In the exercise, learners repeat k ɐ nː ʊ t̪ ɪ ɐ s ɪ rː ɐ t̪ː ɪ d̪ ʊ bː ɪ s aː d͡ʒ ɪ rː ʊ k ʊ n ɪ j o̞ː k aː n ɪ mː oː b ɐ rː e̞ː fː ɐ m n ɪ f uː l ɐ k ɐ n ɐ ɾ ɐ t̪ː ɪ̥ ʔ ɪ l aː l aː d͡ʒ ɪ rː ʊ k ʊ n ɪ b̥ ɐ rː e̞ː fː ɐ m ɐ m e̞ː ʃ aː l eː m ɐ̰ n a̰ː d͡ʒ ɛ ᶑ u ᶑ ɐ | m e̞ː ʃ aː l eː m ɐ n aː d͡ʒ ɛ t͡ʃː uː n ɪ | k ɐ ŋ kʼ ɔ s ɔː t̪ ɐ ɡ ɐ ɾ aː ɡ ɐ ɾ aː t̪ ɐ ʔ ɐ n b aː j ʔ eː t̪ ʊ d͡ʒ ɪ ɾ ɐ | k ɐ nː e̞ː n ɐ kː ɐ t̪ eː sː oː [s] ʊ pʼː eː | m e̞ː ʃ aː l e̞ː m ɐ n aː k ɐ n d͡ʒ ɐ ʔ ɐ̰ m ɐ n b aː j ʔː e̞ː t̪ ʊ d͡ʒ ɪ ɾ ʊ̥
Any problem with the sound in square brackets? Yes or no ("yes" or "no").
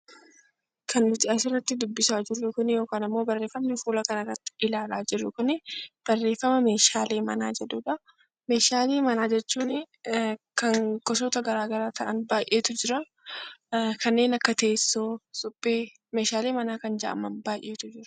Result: no